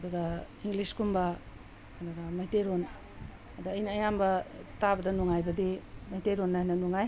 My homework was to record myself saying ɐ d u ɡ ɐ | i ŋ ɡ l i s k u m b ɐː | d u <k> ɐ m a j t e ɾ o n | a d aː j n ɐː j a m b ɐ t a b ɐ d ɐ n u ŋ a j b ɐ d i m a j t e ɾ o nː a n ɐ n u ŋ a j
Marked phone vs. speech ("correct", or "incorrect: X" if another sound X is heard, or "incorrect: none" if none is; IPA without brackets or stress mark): incorrect: ɡ